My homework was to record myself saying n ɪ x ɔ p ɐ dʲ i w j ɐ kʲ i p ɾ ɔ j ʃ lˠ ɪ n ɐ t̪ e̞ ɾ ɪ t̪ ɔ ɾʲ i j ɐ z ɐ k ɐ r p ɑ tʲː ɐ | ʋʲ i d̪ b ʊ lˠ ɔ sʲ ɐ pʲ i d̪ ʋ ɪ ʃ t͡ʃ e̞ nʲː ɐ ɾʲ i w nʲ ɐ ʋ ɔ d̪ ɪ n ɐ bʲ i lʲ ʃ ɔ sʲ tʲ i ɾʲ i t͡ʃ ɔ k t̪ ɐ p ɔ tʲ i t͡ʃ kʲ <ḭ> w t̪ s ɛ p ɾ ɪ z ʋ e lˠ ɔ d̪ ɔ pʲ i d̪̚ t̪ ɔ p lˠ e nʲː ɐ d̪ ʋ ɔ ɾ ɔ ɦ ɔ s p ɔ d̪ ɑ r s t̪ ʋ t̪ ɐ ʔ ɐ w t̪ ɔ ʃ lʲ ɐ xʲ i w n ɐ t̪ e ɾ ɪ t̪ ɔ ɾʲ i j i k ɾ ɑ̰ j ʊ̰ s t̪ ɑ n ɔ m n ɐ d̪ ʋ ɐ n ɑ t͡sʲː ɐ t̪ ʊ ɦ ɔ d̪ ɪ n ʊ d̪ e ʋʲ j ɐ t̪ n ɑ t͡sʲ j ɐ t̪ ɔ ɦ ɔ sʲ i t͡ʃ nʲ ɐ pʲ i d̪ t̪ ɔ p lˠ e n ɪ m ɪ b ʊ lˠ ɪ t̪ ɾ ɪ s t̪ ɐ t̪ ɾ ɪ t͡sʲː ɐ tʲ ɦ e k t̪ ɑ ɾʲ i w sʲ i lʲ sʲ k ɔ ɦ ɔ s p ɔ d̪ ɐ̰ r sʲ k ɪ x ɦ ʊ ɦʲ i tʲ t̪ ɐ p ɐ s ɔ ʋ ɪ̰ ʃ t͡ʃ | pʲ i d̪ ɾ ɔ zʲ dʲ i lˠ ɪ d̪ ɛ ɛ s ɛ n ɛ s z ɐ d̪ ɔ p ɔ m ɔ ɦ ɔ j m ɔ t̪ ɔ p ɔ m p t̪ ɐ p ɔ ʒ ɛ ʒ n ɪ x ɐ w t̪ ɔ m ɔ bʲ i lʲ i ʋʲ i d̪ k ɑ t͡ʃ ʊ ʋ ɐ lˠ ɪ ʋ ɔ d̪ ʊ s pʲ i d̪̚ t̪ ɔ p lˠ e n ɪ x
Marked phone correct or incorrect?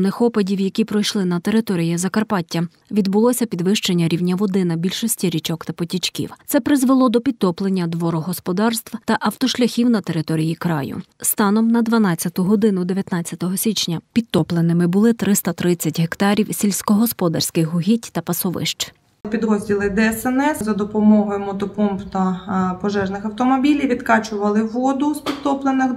correct